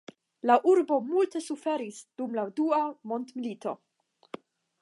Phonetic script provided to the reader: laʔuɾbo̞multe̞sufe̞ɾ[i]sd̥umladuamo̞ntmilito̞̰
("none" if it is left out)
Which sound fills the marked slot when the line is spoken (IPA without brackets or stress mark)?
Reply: i